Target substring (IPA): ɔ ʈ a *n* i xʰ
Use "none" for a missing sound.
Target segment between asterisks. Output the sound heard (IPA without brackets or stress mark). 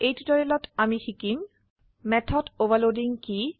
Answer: m